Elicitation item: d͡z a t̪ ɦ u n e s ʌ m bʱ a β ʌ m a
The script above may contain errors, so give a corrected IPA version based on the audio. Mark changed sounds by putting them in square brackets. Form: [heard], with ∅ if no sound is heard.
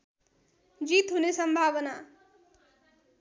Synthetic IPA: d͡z [i] t̪ ɦ u n e s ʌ m bʱ a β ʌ [n] a